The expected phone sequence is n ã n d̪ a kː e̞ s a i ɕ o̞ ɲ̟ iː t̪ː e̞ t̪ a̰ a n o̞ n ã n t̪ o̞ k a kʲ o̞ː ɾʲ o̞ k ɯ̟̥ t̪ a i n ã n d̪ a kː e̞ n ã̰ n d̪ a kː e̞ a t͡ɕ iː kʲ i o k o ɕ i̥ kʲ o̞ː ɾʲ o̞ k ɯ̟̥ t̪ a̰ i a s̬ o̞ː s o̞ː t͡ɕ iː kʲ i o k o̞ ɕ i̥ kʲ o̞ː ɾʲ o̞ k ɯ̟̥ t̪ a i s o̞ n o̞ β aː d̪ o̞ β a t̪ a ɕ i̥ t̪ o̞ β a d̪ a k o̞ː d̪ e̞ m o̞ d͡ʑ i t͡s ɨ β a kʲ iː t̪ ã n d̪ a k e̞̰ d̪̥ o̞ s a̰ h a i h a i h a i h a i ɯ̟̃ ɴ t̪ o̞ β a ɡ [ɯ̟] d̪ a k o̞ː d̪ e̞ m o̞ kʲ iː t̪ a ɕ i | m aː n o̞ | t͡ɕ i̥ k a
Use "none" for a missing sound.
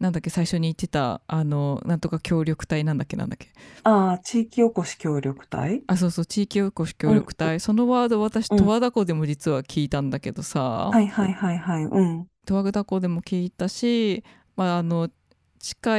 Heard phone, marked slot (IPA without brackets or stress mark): ɯ̟